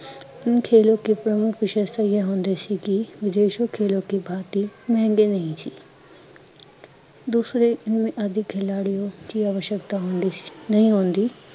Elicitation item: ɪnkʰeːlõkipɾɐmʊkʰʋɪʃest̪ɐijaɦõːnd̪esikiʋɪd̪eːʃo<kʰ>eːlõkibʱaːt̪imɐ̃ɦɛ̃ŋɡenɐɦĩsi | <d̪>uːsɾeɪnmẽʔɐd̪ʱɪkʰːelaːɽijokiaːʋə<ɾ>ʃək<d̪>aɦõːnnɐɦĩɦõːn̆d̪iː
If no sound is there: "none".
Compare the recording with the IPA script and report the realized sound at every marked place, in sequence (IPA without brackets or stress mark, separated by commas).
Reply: kʰ, d̪, none, t̪